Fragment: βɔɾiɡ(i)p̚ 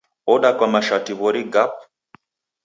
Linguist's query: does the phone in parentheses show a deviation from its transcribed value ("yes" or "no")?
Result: yes